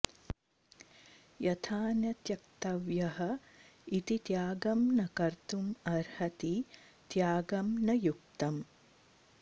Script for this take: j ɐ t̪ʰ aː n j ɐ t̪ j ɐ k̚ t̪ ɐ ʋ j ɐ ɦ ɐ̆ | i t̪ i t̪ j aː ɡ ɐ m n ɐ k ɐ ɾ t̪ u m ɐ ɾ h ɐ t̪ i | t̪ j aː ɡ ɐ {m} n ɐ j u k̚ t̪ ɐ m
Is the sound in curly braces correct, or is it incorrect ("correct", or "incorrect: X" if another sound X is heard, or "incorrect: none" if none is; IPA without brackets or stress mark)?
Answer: correct